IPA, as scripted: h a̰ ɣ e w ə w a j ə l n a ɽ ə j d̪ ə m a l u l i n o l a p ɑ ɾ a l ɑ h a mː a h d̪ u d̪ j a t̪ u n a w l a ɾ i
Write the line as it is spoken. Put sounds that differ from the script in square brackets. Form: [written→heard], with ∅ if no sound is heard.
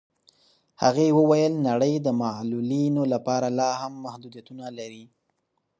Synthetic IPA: h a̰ ɣ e w ə w a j ə l n a ɽ ə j d̪ ə m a l u l i n o l a p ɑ ɾ a l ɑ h a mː a h d̪ u d̪ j a t̪ u n a [w→∅] l a ɾ i